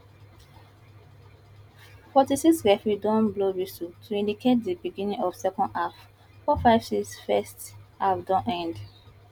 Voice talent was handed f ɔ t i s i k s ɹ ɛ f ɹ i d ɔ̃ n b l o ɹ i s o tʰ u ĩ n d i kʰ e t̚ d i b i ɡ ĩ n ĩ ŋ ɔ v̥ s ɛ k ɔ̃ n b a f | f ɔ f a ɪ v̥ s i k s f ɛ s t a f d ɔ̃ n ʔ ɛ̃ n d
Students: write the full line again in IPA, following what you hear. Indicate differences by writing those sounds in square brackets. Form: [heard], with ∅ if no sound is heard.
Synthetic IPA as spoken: f ɔ t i s i k s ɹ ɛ f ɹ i d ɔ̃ n b l o ɹ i s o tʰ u ĩ n d i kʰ e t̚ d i b i ɡ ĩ n ĩ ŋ ɔ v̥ s ɛ k ɔ̃ n [d] a f | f ɔ f a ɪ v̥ s i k s f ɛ s t a f d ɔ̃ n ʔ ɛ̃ n d